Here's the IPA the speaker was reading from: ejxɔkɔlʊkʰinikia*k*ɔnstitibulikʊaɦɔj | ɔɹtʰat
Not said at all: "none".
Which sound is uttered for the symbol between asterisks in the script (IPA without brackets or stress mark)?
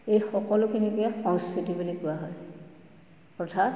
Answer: x